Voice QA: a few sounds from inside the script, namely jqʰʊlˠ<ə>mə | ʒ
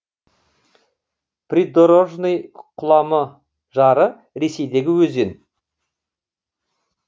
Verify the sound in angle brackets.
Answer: incorrect: ɑ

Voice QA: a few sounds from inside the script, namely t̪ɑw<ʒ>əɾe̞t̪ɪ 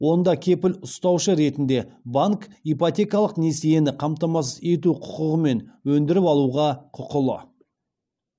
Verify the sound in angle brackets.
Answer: incorrect: ʃ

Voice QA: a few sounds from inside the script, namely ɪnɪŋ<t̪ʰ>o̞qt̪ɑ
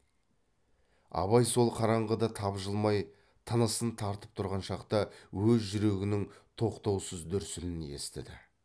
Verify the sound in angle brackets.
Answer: correct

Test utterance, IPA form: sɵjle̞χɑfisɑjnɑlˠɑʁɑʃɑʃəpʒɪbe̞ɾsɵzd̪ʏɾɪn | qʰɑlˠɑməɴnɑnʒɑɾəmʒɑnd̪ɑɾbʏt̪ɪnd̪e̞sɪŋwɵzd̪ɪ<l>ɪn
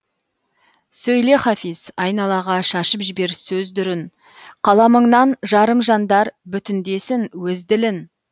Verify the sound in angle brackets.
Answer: correct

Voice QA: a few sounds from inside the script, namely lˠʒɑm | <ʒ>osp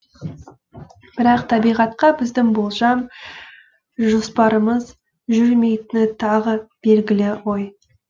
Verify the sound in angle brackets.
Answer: correct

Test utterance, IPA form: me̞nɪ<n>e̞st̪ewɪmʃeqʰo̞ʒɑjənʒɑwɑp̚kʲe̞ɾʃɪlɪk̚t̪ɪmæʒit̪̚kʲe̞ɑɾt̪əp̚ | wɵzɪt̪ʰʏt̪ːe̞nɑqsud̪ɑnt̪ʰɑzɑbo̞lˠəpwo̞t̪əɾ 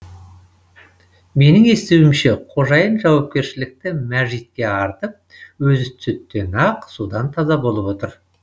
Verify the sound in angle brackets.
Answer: incorrect: ŋ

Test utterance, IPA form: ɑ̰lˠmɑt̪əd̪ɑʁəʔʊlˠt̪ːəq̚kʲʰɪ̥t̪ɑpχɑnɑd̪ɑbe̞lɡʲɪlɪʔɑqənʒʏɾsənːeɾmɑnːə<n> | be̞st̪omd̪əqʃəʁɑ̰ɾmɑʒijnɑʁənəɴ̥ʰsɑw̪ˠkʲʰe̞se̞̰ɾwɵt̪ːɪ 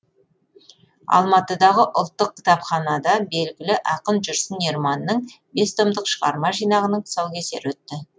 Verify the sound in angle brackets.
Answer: incorrect: ɴ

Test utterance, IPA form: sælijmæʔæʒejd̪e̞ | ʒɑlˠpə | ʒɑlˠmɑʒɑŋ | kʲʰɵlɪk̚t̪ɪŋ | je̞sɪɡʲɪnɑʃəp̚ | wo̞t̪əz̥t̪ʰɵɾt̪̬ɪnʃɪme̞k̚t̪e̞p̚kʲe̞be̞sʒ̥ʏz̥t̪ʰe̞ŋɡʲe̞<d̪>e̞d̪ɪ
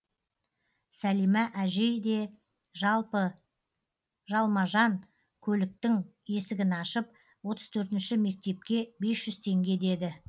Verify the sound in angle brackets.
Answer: correct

